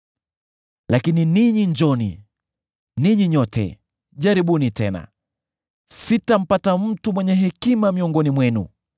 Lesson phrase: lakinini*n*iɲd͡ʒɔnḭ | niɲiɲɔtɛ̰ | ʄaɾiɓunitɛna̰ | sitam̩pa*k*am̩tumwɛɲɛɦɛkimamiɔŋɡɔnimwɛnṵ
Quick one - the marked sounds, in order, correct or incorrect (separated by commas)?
incorrect, incorrect